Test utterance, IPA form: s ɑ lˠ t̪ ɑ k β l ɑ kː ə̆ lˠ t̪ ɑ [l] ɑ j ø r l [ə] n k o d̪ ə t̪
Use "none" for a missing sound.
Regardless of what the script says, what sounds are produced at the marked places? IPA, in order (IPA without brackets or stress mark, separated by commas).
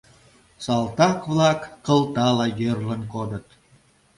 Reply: l, ə